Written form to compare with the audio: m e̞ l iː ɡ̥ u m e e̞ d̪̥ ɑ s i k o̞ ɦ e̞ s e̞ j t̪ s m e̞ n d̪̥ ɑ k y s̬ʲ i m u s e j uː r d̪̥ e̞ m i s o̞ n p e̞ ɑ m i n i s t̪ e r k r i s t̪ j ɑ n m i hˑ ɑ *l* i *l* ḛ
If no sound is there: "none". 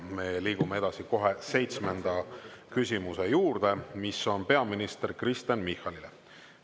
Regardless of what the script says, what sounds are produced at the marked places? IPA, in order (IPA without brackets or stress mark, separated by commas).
l, l